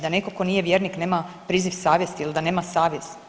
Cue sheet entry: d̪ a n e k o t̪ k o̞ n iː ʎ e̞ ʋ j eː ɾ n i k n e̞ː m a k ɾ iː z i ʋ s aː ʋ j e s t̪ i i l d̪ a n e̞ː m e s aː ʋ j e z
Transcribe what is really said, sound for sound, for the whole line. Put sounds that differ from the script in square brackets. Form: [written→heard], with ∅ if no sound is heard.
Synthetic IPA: d̪ a n e k o [t̪→∅] k o̞ n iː [ʎ→j] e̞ ʋ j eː ɾ n i k n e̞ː m a [k→p] ɾ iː z i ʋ s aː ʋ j e s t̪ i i l d̪ a n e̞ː m [e→a] s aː ʋ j e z